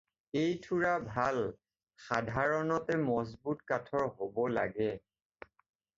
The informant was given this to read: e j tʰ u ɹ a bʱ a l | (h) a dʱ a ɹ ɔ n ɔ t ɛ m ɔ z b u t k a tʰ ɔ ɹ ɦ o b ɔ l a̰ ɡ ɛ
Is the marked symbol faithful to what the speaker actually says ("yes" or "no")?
no